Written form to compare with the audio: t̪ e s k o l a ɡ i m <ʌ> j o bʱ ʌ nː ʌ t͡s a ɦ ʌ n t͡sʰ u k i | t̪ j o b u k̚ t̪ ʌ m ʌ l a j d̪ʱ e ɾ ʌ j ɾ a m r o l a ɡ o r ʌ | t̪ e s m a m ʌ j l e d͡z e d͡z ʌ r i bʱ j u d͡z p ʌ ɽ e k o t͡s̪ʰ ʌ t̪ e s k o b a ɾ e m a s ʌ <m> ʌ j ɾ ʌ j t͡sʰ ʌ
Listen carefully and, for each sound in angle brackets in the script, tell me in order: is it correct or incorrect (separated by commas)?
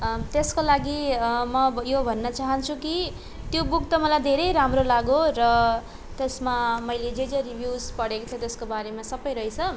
correct, incorrect